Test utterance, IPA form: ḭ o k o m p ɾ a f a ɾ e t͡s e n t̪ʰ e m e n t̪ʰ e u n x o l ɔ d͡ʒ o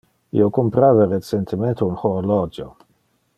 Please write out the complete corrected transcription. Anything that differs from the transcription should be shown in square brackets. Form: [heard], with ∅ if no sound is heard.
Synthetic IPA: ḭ o k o m p ɾ a [v] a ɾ e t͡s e n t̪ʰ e m e n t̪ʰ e u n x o l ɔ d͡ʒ o